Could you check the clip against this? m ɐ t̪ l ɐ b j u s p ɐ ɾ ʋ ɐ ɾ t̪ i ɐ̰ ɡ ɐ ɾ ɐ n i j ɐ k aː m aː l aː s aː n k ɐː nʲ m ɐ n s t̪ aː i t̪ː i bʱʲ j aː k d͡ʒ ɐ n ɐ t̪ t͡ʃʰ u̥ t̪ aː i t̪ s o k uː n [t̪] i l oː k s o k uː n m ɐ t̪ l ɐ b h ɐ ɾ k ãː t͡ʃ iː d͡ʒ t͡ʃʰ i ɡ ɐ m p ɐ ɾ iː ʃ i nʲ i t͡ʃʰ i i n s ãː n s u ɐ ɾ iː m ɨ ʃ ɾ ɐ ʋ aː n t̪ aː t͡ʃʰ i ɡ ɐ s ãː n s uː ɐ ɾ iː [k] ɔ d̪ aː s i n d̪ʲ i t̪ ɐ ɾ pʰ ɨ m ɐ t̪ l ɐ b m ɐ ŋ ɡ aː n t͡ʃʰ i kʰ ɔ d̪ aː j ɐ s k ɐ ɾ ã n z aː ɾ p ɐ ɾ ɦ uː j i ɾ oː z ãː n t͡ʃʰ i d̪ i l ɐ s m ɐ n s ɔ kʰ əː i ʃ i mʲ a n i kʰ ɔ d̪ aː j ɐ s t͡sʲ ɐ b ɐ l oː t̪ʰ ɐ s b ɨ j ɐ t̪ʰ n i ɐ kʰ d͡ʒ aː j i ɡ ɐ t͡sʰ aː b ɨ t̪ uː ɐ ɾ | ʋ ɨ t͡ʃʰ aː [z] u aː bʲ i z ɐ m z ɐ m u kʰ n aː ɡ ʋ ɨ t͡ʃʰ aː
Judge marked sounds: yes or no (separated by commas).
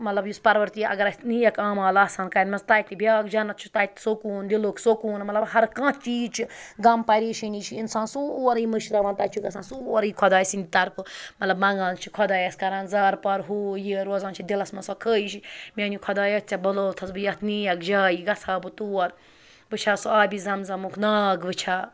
no, no, no